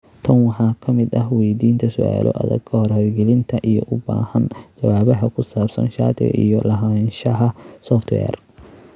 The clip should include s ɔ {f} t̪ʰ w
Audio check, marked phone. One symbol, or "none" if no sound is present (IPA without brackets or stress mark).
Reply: f